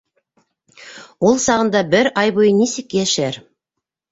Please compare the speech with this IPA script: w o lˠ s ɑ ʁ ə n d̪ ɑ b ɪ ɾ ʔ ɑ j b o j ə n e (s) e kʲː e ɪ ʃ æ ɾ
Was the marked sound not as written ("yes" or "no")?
no